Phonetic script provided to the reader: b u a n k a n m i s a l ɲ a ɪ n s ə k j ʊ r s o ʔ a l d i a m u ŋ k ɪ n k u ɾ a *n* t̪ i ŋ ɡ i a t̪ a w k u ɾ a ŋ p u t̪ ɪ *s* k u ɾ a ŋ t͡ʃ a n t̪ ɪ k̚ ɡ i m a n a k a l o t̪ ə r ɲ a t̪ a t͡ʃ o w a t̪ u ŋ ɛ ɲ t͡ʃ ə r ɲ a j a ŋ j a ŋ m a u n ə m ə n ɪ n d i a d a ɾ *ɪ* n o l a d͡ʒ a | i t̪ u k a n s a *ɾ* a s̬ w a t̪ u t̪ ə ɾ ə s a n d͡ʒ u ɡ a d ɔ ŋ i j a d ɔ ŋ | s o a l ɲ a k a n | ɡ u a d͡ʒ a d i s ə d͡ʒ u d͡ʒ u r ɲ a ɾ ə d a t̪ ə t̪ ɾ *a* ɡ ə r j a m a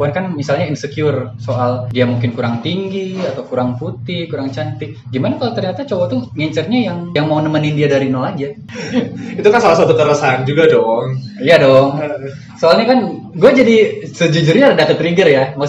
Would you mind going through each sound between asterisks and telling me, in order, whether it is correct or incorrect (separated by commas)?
incorrect, incorrect, incorrect, incorrect, incorrect